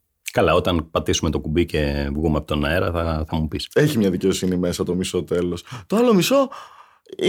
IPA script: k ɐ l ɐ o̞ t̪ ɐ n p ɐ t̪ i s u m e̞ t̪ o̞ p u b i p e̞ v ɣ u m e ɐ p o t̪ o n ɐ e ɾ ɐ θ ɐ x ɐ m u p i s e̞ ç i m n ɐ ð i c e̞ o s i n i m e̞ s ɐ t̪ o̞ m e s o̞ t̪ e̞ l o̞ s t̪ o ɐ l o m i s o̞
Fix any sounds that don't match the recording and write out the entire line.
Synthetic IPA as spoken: k ɐ l ɐ o̞ t̪ ɐ n p ɐ t̪ i s u m e̞ t̪ o̞ k u b i c e̞ v ɣ u m e ɐ p o t̪ o n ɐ e ɾ ɐ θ ɐ θ ɐ m u p i s e̞ ç i m ɲ ɐ ð i c e̞ o s i n i m e̞ s ɐ t̪ o̞ m i s o̞ t̪ e̞ l o̞ s t̪ o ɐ l o m i s o̞